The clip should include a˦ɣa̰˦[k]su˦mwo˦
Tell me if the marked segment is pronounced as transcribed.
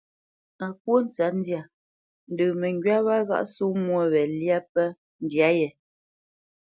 no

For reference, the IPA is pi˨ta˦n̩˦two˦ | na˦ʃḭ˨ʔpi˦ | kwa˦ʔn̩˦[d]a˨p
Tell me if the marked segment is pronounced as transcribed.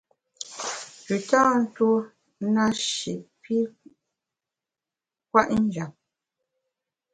no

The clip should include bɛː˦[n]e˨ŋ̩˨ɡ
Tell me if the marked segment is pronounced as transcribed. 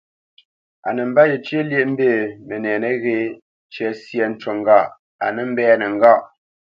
yes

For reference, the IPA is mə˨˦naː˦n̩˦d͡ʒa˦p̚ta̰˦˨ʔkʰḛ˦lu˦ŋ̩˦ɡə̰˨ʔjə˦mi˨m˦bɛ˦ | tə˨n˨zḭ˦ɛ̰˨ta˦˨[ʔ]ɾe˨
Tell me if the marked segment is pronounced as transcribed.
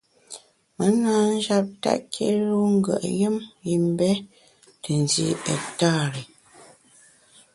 no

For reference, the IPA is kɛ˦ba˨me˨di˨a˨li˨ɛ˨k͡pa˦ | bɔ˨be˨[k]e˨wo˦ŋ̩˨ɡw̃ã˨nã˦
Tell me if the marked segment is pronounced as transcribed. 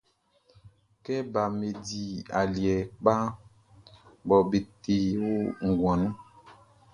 no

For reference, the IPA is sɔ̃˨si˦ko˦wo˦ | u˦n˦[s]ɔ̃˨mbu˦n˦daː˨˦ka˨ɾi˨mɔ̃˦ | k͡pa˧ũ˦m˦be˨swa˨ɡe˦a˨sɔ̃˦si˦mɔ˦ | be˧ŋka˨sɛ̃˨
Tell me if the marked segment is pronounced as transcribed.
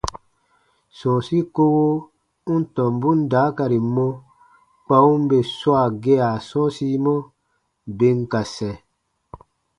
no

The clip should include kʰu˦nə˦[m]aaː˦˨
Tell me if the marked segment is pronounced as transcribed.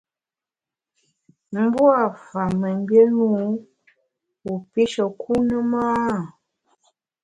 yes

